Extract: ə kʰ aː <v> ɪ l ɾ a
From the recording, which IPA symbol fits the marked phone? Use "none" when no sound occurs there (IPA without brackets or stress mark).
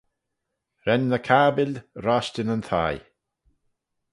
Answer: b